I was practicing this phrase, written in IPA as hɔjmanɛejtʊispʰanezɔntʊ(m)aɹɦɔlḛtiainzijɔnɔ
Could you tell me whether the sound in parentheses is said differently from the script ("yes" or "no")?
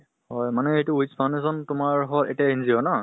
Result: no